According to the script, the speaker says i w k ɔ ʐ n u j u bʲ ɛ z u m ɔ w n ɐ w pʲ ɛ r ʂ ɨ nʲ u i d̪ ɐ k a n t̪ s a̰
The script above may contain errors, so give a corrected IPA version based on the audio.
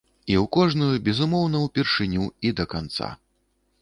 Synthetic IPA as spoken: i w k ɔ ʐ n u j u bʲ ɛ z u m ɔ w n ɐ w pʲ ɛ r ʂ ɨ nʲ u i d̪ ɐ k a n t̪ s a̰